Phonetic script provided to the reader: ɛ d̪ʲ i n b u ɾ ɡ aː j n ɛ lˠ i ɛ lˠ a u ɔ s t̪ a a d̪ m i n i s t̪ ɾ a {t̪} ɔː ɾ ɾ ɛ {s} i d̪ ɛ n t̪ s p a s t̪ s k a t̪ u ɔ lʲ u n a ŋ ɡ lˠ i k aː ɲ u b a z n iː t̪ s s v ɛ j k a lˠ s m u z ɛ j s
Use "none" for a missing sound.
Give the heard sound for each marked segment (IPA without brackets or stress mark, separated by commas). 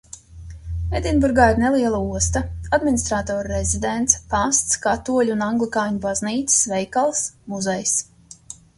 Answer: t̪, z